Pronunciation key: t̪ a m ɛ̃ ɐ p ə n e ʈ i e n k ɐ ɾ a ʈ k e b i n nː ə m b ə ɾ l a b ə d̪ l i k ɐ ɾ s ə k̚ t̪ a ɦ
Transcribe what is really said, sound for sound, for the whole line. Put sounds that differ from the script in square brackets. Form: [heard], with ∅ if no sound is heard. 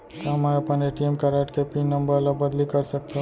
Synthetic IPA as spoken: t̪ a m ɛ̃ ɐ p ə n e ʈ i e [m] k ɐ ɾ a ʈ k e [p] i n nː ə m b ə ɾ l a b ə d̪ l i k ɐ ɾ s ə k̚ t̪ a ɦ